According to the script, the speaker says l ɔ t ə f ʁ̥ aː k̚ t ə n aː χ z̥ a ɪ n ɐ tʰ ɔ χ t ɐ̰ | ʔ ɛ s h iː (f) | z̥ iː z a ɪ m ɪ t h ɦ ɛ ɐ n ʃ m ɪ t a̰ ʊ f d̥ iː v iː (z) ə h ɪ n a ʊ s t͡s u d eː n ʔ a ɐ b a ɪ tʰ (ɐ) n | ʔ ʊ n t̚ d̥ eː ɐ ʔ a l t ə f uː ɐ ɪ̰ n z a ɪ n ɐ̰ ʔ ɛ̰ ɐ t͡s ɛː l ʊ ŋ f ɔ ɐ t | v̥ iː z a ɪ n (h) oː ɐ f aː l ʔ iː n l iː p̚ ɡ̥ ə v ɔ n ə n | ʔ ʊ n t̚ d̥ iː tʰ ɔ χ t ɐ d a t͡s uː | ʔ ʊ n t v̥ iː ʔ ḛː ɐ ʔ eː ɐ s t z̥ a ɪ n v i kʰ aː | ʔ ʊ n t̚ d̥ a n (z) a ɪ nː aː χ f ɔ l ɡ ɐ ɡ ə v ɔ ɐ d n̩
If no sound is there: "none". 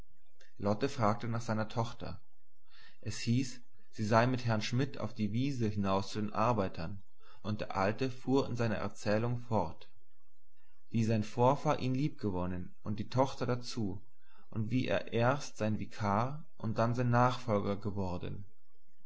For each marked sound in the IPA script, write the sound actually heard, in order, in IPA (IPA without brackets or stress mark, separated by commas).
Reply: s, z, ɐ, f, z